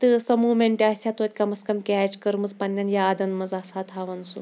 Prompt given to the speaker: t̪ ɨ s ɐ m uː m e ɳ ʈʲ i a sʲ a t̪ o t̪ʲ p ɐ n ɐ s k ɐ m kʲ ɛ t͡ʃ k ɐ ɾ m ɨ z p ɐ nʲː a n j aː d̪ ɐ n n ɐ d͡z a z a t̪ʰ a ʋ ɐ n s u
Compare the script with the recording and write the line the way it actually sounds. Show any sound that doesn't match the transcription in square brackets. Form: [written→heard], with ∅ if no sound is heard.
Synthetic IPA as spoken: t̪ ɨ s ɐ m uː m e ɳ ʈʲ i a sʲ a t̪ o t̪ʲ [p→k] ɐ [n→m] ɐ s k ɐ m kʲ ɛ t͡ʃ k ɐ ɾ m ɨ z p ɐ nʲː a n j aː d̪ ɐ n [n→m] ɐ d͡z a [z→s] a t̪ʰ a ʋ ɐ n s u